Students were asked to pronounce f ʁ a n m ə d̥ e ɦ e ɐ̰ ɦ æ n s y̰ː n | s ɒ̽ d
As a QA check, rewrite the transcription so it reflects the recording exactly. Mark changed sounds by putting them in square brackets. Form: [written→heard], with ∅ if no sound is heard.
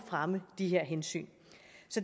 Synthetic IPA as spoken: f ʁ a [n→∅] m ə d̥ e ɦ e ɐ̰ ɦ [æ→e] n s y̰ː n | s ɒ̽ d